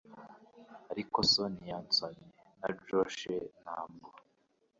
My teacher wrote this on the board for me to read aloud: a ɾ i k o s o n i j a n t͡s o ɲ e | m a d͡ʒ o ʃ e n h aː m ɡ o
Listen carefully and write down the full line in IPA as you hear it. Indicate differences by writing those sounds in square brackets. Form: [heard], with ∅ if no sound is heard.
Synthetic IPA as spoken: a ɾ i k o s o n i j a n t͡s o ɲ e | [n] a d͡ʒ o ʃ e n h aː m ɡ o